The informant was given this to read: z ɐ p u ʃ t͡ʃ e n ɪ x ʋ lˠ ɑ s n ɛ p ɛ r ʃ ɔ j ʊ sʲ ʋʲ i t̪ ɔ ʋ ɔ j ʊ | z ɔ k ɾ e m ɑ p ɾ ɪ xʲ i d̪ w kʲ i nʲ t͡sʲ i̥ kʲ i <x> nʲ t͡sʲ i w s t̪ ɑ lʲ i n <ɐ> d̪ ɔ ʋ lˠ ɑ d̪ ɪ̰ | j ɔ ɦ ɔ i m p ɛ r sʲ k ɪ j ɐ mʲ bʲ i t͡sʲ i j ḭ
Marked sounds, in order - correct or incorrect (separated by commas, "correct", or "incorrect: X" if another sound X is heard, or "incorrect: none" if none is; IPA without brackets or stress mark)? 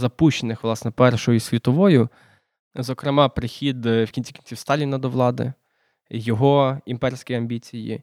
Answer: incorrect: none, correct